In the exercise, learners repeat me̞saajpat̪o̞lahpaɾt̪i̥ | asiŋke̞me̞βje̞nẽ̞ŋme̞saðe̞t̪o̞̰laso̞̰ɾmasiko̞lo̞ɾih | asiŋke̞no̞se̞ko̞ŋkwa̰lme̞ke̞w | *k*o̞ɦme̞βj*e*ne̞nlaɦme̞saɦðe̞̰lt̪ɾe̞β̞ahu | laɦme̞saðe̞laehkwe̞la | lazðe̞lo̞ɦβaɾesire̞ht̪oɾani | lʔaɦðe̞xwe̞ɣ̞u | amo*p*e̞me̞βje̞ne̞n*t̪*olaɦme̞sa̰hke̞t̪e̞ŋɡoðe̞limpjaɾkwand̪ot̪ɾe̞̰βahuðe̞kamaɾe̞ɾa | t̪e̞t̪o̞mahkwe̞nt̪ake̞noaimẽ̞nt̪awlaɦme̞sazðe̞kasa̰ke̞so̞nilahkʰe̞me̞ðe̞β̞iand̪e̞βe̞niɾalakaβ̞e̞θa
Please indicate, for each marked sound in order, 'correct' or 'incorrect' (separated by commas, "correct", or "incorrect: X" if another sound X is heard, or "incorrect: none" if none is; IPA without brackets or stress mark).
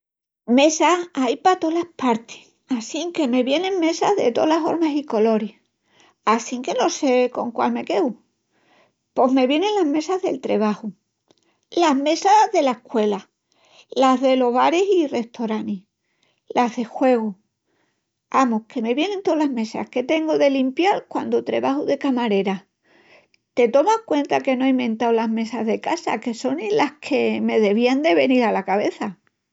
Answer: incorrect: p, correct, incorrect: k, correct